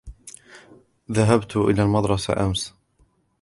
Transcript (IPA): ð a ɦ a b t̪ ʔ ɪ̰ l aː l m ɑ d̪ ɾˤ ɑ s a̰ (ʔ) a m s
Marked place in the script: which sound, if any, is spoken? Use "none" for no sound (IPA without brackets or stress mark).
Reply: ʔ